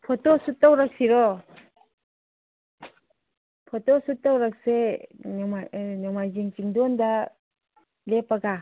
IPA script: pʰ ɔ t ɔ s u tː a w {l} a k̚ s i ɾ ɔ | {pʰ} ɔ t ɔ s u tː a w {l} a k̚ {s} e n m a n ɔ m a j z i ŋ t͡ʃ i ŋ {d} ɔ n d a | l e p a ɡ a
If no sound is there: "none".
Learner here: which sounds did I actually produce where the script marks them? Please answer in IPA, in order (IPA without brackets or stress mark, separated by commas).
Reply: ɾ, pʰ, ɾ, s, d